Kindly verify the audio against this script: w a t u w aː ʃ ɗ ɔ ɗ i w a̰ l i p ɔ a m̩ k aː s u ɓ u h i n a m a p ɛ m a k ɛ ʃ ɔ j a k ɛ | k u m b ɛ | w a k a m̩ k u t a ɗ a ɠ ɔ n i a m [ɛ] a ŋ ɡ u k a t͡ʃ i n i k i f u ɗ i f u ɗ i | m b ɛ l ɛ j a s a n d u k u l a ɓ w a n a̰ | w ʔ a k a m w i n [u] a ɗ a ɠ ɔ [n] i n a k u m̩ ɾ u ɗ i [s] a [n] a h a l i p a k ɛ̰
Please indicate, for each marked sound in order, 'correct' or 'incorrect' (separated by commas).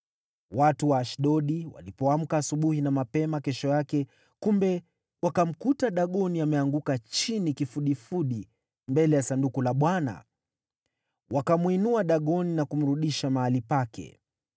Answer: correct, correct, correct, incorrect, incorrect